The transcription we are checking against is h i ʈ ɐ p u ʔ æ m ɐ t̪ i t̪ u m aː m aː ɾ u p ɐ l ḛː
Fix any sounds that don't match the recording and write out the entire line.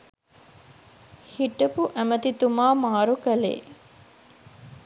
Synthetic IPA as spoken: h i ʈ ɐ p u ʔ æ m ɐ t̪ i t̪ u m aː m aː ɾ u k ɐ l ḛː